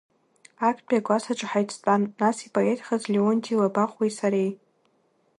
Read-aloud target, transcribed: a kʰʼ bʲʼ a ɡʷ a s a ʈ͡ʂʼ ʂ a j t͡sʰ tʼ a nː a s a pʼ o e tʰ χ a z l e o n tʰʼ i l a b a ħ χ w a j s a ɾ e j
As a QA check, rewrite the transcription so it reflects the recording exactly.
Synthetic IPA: a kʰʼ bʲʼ a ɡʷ a s a ʈ͡ʂʼ ħ a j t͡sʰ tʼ a nː a s i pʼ o e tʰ χ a z l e o n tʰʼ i l a b a χ w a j s a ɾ e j